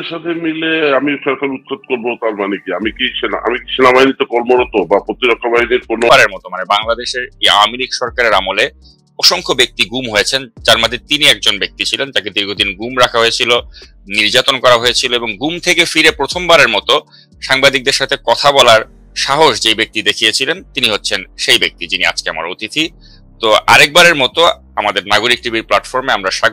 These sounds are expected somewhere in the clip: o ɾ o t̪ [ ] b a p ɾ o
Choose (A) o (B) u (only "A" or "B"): A